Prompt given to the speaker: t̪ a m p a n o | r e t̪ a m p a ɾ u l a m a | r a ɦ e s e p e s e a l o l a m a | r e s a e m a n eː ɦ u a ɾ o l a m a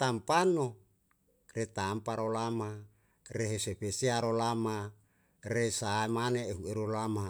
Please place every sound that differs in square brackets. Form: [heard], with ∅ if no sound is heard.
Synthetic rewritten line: t̪ a m p a n o | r e t̪ a m p a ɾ [o] l a m a | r [e] ɦ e s e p e s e a [ɾ] o l a m a | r e s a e m a n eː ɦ u [e] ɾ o l a m a